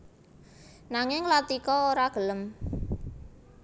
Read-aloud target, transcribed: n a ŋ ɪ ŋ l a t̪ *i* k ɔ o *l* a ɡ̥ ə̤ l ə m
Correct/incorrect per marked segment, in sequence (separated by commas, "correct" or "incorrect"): correct, incorrect